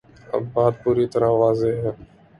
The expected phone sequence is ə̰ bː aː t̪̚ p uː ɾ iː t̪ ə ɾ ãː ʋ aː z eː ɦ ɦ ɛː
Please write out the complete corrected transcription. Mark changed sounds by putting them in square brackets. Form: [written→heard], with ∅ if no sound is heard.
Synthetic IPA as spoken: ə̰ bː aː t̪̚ p uː ɾ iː t̪ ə ɾ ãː ʋ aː z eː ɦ ɦ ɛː